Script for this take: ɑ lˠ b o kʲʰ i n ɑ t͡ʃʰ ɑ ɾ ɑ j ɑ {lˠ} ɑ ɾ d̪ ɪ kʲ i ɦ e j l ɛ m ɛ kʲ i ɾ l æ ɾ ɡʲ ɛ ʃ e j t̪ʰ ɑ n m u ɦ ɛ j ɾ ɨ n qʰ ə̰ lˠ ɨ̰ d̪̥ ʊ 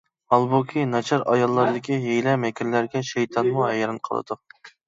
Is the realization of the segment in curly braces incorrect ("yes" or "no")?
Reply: yes